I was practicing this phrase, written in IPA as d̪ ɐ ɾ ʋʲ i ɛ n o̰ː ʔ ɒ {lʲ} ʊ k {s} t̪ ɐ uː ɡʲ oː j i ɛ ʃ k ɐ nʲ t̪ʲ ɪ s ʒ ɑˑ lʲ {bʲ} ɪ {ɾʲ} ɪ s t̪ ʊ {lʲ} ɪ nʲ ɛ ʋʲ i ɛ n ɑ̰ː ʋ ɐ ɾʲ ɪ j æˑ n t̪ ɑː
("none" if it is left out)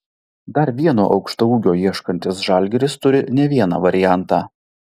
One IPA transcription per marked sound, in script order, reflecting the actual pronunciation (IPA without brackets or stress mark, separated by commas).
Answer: none, ʃ, ɡʲ, ɾʲ, ɾʲ